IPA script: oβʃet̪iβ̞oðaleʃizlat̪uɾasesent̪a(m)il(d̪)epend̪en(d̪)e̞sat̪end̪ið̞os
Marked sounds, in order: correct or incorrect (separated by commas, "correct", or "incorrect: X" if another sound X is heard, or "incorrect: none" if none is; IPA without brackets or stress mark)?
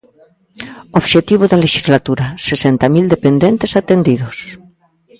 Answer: correct, correct, incorrect: t̪